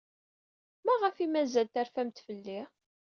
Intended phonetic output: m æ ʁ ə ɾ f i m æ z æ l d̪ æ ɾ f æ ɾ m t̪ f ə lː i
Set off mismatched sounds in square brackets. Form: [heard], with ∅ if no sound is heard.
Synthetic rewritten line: m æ ʁ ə [∅] f i m æ z æ l [t̪] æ ɾ f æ [∅] m t̪ f ə lː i